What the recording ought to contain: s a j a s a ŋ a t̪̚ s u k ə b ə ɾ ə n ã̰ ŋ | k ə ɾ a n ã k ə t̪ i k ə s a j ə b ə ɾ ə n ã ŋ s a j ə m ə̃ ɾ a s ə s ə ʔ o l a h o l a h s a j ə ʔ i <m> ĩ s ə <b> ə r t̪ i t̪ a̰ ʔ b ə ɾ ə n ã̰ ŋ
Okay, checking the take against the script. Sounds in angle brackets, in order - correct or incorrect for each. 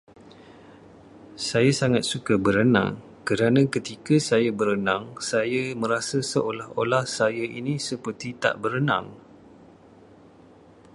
incorrect, incorrect

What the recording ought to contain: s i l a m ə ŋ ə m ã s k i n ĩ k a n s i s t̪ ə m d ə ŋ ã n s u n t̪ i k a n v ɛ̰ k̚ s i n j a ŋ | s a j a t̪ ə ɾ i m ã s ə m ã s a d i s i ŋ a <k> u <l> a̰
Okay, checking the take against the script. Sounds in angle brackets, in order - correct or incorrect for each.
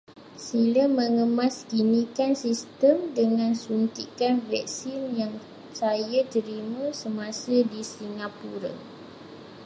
incorrect, incorrect

